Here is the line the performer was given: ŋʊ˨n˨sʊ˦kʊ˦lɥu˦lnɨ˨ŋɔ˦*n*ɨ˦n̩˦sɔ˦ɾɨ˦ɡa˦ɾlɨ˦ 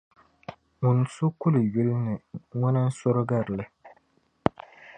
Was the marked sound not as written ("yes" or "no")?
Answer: no